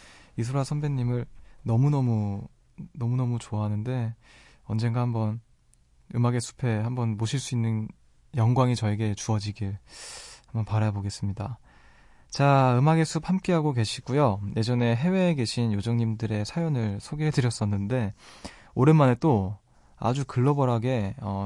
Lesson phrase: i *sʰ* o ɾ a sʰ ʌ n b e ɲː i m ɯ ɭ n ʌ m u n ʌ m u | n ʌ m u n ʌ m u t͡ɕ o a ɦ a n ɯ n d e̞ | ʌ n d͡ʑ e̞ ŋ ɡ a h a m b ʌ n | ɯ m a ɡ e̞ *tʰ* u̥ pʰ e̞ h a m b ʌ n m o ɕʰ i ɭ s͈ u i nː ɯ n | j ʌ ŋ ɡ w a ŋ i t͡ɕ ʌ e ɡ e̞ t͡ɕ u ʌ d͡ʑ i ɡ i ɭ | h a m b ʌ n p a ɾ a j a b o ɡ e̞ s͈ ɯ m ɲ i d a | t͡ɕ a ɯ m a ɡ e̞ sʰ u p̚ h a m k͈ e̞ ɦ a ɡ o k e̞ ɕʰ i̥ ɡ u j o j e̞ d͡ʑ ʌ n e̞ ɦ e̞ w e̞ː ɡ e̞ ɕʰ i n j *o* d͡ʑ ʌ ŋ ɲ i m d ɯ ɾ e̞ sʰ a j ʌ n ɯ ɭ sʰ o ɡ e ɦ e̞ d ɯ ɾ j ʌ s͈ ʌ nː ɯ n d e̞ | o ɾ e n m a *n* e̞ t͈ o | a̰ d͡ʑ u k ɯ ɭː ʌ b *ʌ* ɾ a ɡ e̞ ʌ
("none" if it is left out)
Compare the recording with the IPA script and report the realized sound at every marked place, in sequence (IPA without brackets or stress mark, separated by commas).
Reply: sʰ, sʰ, o, n, ʌ